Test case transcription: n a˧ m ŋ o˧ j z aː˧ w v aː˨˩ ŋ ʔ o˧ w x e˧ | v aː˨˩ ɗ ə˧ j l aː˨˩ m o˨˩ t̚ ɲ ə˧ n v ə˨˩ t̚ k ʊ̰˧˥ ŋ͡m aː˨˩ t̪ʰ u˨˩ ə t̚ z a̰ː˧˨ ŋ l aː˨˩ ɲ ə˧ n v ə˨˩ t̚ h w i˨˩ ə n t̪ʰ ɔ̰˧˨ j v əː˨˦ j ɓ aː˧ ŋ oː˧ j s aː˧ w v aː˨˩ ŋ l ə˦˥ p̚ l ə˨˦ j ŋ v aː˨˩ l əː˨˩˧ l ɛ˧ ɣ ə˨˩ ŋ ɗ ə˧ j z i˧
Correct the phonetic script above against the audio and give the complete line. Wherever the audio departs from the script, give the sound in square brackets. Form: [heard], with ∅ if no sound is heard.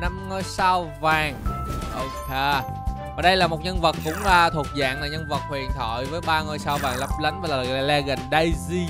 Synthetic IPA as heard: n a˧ m ŋ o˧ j [s] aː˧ w v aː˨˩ ŋ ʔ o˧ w [k] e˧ | v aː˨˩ ɗ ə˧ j l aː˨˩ m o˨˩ t̚ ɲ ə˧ n v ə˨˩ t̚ k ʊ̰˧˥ ŋ͡m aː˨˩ t̪ʰ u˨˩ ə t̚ z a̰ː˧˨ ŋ l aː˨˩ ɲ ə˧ n v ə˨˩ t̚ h w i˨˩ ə n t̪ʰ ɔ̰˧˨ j v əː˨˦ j ɓ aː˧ ŋ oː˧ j s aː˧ w v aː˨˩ ŋ l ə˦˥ p̚ l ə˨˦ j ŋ v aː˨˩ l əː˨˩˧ l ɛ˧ ɣ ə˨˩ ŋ ɗ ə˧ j z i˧

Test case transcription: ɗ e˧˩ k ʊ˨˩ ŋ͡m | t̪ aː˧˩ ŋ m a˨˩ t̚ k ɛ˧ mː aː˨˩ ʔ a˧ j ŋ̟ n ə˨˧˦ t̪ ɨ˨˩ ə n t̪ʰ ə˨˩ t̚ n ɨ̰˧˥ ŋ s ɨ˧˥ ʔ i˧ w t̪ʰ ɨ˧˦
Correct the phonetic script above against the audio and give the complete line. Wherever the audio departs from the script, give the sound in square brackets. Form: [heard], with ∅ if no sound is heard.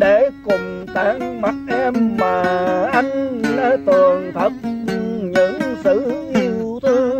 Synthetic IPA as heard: ɗ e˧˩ k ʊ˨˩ ŋ͡m | t̪ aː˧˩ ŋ m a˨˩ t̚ [ʔ] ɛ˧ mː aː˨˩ ʔ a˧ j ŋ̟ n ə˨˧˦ t̪ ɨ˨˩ ə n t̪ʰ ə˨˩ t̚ [ɲ] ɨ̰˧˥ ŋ s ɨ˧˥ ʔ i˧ w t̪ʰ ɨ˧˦

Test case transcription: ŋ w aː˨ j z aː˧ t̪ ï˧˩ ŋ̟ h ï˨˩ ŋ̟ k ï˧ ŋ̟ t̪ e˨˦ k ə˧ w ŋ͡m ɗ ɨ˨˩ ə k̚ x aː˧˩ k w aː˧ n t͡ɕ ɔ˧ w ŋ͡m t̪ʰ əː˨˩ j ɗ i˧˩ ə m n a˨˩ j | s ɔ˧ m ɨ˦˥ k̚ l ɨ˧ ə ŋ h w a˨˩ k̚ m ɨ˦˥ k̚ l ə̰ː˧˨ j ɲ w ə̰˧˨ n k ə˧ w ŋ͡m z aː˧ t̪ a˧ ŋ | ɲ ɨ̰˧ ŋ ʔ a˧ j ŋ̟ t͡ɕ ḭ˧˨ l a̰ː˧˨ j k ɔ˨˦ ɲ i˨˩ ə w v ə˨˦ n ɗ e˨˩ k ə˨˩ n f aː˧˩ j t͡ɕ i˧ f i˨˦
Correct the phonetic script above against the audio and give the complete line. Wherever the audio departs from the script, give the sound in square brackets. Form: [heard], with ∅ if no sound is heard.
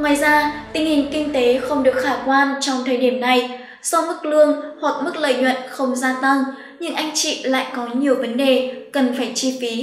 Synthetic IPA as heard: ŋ w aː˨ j z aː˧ t̪ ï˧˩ ŋ̟ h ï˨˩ ŋ̟ k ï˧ ŋ̟ t̪ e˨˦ [x] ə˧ w ŋ͡m ɗ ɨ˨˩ ə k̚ x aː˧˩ k w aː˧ n t͡ɕ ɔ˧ w ŋ͡m t̪ʰ əː˨˩ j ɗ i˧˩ ə m n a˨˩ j | s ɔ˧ m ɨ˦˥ k̚ l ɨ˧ ə ŋ h w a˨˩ k̚ m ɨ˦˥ k̚ l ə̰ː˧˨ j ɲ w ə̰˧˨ n [x] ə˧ w ŋ͡m z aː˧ t̪ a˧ ŋ | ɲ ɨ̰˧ ŋ ʔ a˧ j ŋ̟ t͡ɕ ḭ˧˨ l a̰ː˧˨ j k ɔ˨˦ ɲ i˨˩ ə w v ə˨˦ n ɗ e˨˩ k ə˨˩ n f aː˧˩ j t͡ɕ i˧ f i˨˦

